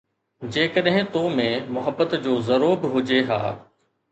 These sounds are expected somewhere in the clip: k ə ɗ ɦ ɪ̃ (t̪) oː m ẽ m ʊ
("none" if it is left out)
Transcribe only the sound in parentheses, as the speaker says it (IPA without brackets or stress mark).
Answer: t̪